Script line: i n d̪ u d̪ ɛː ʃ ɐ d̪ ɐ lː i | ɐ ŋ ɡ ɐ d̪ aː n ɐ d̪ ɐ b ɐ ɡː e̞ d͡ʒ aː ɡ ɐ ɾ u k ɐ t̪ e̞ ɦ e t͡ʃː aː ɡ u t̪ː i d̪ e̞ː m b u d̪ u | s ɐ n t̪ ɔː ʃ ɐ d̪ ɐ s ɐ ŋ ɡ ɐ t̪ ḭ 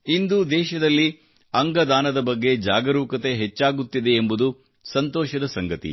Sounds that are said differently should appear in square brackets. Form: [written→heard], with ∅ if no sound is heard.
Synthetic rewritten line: i n d̪ u d̪ ɛː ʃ ɐ d̪ ɐ lː i | ɐ ŋ ɡ ɐ d̪ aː n ɐ d̪ ɐ b ɐ ɡː e̞ d͡ʒ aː ɡ ɐ ɾ [u→uː] k ɐ t̪ e̞ ɦ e t͡ʃː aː ɡ u t̪ː i d̪ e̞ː m b u d̪ u | s ɐ n t̪ ɔː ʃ ɐ d̪ ɐ s ɐ ŋ ɡ ɐ t̪ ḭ

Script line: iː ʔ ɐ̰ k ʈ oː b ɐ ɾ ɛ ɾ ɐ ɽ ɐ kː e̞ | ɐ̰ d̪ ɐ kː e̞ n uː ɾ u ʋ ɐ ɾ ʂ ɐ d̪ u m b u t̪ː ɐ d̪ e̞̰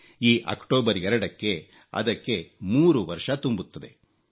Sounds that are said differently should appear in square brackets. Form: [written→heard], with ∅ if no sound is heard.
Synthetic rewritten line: iː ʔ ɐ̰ k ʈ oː b ɐ ɾ ɛ ɾ ɐ ɽ ɐ kː e̞ | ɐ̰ d̪ ɐ kː e̞ [n→m] uː ɾ u ʋ ɐ ɾ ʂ ɐ [d̪→t̪] u m b u t̪ː ɐ d̪ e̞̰

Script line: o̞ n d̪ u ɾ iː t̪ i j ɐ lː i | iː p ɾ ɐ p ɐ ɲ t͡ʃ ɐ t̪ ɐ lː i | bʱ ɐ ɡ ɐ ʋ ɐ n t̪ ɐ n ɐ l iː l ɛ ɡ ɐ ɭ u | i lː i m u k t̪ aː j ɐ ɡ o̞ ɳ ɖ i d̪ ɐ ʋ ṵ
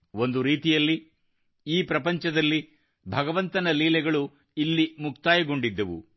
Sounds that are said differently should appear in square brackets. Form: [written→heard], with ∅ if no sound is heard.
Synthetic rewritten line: o̞ n d̪ u ɾ iː t̪ i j ɐ lː i | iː p ɾ ɐ p ɐ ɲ t͡ʃ ɐ [t̪→d̪] ɐ lː i | bʱ ɐ ɡ ɐ ʋ ɐ n t̪ ɐ n ɐ l iː l ɛ ɡ ɐ ɭ u | i lː i m u k t̪ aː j ɐ ɡ o̞ ɳ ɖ i [d̪→d̪ː] ɐ ʋ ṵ

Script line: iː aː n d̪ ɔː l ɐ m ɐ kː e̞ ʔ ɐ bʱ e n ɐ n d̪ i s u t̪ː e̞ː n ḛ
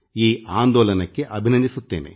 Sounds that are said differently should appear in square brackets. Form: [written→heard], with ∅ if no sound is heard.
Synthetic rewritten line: iː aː n d̪ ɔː l ɐ [m→n] ɐ kː e̞ ʔ ɐ bʱ [e→i] n ɐ n d̪ i s u t̪ː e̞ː n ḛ

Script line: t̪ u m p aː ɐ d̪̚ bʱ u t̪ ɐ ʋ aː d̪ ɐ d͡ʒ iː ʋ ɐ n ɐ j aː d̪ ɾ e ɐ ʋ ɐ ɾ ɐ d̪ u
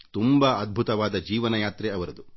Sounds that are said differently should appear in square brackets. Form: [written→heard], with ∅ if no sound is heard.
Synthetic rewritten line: t̪ u m [p→b] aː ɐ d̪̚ bʱ u t̪ ɐ ʋ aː d̪ ɐ d͡ʒ iː ʋ ɐ n ɐ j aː [d̪→t̪] ɾ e ɐ ʋ ɐ ɾ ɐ d̪ u

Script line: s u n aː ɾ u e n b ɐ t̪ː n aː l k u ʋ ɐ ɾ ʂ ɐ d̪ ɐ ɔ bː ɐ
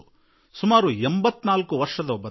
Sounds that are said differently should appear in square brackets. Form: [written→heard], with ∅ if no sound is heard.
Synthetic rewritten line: s u [n→m] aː ɾ u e [n→m] b ɐ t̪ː n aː l k u ʋ ɐ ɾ ʂ ɐ d̪ ɐ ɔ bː ɐ

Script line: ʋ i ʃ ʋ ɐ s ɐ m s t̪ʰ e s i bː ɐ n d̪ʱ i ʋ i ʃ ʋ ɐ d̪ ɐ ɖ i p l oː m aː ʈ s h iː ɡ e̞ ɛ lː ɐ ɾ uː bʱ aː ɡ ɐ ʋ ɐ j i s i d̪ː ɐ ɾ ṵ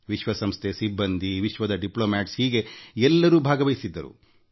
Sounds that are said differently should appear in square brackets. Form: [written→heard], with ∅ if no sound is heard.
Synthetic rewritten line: ʋ i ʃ ʋ ɐ s ɐ m s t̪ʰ e s i bː ɐ n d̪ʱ i ʋ i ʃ ʋ ɐ d̪ ɐ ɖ i p l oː m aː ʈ s h iː ɡ e̞ ɛ lː ɐ ɾ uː bʱ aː ɡ ɐ ʋ ɐ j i s i d̪ː ɐ ɾ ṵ

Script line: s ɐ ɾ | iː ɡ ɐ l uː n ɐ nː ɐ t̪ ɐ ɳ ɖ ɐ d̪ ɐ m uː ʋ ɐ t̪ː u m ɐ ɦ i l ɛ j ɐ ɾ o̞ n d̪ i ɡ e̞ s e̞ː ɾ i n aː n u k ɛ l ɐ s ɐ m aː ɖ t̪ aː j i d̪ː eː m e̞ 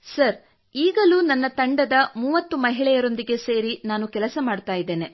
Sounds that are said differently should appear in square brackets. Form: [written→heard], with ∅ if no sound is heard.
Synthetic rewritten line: s ɐ ɾ | iː ɡ ɐ l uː n ɐ nː ɐ t̪ ɐ ɳ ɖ ɐ d̪ ɐ m uː ʋ ɐ t̪ː u m ɐ ɦ i [l→ɭ] ɛ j ɐ ɾ o̞ n d̪ i ɡ e̞ s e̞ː ɾ i n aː n u k ɛ l ɐ s ɐ m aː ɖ t̪ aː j i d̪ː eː [m→n] e̞

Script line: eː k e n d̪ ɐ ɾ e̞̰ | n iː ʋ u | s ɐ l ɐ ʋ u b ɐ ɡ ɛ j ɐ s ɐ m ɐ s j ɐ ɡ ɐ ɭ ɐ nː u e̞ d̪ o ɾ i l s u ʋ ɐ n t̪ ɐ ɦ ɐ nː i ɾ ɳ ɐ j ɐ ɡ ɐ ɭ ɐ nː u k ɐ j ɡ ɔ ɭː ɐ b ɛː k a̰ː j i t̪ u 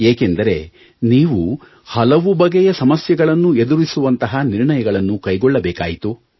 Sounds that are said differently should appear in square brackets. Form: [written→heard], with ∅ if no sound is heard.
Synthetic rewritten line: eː k e n d̪ ɐ ɾ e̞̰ | n iː ʋ u | [s→h] ɐ l ɐ ʋ u b ɐ ɡ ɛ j ɐ s ɐ m ɐ s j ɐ ɡ ɐ ɭ ɐ nː u e̞ d̪ [o→u] ɾ i [l→∅] s u ʋ ɐ n t̪ ɐ ɦ ɐ [nː→n] i ɾ ɳ ɐ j ɐ ɡ ɐ ɭ ɐ nː u k ɐ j ɡ ɔ ɭː ɐ b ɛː k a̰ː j i t̪ u

